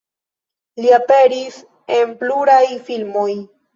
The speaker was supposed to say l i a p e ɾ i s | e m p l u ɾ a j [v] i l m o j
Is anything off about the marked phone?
yes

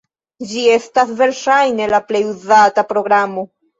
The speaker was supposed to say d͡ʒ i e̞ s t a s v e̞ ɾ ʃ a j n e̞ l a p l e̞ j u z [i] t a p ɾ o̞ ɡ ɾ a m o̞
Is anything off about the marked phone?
yes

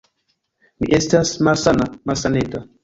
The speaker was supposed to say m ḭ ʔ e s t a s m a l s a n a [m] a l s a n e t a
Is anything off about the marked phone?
no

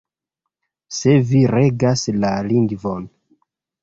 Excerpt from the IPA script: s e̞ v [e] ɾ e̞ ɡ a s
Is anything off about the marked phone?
yes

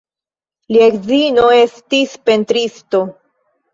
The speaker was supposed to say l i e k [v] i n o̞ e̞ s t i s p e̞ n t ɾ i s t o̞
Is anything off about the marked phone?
yes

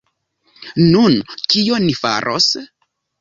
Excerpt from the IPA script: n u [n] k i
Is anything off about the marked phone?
no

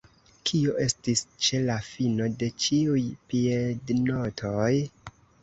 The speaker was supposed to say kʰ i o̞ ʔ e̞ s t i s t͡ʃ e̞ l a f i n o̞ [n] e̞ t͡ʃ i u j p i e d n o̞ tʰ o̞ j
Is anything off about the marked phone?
yes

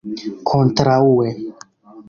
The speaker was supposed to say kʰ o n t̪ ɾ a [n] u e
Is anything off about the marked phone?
yes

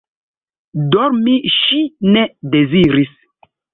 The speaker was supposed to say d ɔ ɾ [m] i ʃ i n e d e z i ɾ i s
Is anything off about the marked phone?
no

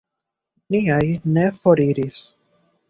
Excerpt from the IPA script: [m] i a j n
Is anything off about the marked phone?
yes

